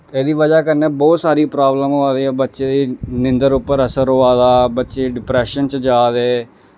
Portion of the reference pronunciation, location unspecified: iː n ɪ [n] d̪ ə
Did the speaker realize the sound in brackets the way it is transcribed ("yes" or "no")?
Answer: yes